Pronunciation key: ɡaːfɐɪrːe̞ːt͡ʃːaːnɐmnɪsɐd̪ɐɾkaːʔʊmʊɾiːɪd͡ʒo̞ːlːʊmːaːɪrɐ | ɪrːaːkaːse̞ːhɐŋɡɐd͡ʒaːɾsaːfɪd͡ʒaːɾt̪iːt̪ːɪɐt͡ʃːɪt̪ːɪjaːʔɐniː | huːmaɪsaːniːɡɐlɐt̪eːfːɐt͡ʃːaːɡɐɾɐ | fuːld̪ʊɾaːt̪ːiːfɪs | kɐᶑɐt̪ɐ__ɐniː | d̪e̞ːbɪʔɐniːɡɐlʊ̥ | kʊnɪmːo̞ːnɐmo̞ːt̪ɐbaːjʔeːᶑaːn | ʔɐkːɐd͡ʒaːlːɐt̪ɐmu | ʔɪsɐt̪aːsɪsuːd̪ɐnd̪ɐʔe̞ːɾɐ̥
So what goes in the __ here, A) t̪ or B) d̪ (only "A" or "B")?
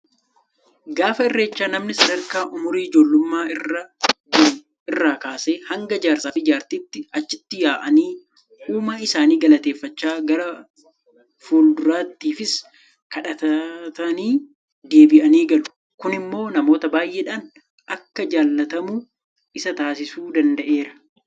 A